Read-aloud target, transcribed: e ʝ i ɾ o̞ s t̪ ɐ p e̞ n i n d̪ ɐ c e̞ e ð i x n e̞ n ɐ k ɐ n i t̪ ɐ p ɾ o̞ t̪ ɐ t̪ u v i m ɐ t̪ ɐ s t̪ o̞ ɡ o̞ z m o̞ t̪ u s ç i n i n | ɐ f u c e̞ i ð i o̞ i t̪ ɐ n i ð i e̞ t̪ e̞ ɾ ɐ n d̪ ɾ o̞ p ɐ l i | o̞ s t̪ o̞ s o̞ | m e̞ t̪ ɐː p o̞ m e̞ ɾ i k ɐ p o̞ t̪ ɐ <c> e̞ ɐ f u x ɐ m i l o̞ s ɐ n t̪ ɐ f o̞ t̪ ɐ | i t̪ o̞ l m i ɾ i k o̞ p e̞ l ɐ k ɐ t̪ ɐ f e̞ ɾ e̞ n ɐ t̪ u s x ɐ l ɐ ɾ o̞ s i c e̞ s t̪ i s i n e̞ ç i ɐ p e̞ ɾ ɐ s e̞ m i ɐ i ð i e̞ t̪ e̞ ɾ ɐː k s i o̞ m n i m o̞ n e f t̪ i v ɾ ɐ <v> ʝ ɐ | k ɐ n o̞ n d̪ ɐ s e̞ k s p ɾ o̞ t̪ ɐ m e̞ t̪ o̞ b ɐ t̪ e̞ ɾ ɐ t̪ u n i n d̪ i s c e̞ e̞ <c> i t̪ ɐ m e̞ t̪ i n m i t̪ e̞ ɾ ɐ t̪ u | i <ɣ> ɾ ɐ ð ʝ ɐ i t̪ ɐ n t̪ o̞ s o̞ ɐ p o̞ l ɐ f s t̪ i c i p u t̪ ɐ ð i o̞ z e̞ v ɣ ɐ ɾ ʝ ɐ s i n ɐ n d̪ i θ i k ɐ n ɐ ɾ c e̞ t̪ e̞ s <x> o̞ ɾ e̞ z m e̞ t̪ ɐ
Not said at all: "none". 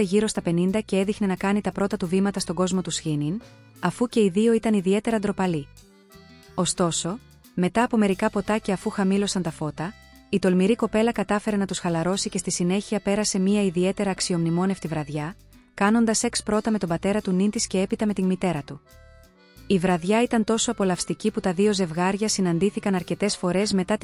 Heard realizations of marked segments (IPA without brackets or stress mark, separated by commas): c, ð, p, v, f